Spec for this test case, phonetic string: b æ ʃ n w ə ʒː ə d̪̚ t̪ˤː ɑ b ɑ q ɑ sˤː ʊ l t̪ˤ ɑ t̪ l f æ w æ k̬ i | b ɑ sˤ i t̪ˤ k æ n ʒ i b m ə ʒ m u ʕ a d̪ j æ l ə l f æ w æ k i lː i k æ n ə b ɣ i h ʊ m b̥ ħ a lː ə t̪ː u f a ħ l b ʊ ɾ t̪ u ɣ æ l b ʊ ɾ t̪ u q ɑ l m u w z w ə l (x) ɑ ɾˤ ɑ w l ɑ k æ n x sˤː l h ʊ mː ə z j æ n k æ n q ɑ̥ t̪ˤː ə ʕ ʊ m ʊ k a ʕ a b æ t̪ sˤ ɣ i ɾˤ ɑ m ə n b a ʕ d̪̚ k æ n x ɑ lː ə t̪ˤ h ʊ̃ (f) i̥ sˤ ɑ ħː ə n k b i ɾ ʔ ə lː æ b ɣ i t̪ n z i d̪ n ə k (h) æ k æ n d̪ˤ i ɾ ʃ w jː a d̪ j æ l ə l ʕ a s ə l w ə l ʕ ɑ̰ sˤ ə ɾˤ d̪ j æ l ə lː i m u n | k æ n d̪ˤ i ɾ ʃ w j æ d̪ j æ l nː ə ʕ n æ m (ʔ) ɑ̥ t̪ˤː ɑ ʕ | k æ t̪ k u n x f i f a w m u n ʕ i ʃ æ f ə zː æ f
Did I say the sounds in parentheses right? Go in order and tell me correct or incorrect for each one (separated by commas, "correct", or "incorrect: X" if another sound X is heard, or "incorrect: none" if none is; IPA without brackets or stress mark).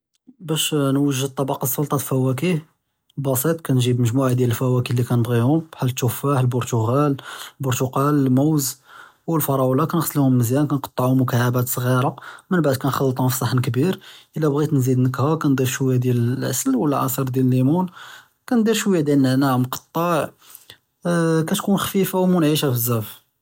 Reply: incorrect: f, correct, correct, incorrect: q